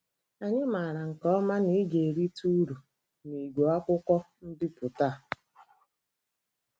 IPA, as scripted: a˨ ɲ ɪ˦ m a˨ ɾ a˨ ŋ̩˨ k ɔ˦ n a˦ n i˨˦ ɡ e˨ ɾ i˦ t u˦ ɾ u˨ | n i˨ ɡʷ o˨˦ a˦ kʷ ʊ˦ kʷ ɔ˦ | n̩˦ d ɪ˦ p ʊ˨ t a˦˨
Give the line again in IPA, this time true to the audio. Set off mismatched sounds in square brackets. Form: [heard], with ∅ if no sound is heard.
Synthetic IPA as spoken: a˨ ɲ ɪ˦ m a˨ ɾ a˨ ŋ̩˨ k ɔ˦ [m] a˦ n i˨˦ ɡ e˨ ɾ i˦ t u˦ ɾ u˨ | n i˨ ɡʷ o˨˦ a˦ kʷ ʊ˦ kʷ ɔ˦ | n̩˦ d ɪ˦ p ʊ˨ t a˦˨